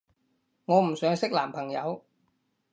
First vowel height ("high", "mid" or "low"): mid